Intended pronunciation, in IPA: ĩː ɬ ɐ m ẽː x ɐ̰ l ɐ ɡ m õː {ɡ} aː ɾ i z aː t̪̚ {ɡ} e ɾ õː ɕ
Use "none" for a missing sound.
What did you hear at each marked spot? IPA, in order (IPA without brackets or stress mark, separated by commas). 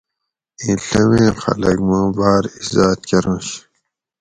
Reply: b, k